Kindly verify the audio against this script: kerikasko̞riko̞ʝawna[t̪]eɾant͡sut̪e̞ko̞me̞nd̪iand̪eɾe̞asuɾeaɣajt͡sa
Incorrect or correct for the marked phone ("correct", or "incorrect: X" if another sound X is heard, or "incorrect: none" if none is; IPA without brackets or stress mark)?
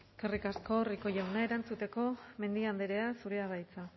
incorrect: none